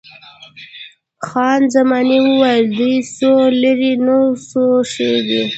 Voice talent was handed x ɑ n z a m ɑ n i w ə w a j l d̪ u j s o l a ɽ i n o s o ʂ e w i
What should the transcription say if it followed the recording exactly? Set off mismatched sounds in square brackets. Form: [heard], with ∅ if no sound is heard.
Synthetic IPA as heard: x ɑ n z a m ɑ n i w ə w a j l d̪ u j s o l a [ɾ] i n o s o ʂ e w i

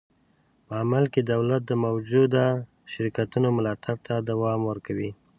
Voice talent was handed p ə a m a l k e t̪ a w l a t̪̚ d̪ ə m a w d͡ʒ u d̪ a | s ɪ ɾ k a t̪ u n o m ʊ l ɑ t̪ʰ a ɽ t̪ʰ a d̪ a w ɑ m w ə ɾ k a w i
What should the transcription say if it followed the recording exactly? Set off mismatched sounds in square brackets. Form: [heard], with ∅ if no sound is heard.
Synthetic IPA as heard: p ə a m a l k e [d̪] a w l a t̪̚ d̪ ə m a w d͡ʒ u d̪ a | [ʃ] ɪ ɾ k a t̪ u n o m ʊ l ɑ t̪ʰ a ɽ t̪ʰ a d̪ a w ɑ m w ə ɾ k a w i

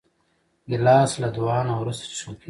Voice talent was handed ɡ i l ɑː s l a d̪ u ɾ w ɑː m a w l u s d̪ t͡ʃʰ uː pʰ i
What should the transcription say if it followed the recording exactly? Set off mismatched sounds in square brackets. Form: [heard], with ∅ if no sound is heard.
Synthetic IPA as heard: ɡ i l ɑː s l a d̪ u [∅] w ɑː [n] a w [ɾ] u s [t̪] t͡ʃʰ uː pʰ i

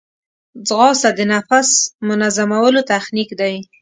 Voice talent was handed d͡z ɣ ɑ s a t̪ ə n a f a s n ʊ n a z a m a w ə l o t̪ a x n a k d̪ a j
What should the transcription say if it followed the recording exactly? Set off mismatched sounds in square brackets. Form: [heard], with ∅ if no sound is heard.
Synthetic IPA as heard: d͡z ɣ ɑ s a [d̪] ə n a f a s [m] ʊ n a z a m a w ə l o t̪ a x n [i] k d̪ a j

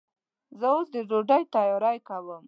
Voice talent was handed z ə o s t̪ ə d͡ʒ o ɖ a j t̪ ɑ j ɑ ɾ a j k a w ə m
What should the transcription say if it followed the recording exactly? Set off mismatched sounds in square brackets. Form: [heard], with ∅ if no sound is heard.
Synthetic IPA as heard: z ə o s [d̪] ə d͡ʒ o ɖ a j t̪ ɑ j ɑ ɾ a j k a w ə m

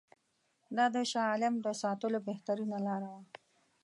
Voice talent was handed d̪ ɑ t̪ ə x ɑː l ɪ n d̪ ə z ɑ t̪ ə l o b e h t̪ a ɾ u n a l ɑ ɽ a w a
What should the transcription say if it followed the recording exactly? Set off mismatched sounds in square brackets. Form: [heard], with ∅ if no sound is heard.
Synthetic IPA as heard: d̪ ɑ [d̪] ə [ʃ] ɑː l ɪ [m] d̪ ə [s] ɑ t̪ ə l o b e h t̪ a ɾ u n a l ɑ [ɾ] a w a

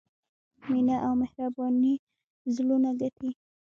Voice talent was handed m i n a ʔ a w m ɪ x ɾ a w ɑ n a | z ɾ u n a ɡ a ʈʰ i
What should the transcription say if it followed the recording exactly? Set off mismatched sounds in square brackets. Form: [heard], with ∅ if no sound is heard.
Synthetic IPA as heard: m i n a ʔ a w m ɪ [h] ɾ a [b] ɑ n [i] | z [l] u n a ɡ a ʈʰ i

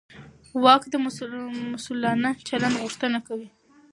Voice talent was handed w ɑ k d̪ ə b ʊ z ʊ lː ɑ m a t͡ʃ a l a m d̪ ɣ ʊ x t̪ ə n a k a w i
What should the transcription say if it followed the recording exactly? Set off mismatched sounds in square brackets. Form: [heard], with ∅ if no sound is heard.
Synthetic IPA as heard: w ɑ k d̪ ə [m] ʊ [s] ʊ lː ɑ [n] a t͡ʃ a l a [n] d̪ ɣ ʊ [ʂ] t̪ ə n a k a w i

